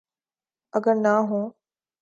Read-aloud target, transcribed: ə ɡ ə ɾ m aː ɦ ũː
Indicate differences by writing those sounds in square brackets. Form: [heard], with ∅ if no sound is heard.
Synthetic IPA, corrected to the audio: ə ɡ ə ɾ [n] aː ɦ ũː